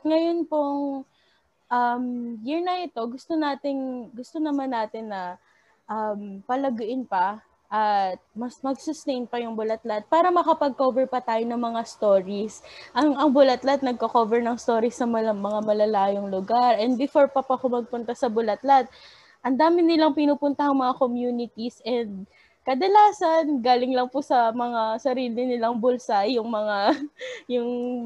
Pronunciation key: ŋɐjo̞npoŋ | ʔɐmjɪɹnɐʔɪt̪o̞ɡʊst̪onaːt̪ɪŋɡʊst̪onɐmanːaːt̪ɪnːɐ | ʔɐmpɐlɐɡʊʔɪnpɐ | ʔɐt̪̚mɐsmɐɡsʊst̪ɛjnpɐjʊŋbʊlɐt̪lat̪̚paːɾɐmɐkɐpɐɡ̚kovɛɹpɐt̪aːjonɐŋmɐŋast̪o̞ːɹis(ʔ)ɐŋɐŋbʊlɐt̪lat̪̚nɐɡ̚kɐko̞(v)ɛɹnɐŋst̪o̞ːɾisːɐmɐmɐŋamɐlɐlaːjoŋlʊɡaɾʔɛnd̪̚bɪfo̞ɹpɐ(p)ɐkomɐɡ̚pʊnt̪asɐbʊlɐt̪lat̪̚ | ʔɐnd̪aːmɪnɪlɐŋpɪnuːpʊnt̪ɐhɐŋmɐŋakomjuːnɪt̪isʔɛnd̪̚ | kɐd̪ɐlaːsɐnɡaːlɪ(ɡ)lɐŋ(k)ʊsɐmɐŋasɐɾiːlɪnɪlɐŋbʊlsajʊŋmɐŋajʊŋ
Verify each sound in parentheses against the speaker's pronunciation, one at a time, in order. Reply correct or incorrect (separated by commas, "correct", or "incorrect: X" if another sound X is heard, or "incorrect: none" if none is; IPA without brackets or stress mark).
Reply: correct, correct, correct, incorrect: ŋ, incorrect: p